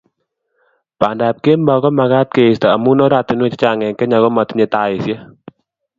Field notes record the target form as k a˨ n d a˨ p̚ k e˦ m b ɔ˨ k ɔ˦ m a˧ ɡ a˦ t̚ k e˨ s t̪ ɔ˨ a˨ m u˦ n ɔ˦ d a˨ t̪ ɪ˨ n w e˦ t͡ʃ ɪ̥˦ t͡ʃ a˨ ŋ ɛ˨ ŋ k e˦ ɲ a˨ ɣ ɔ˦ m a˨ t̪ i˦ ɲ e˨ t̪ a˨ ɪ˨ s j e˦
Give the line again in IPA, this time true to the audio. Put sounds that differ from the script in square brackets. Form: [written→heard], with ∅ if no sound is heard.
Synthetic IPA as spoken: [k→p] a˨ n d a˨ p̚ k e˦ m b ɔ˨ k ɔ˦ m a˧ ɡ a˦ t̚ k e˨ s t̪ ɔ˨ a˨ m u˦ n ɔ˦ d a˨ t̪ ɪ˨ n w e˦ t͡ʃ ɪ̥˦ t͡ʃ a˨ ŋ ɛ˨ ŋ k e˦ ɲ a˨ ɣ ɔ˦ m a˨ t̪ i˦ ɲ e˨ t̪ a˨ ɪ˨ s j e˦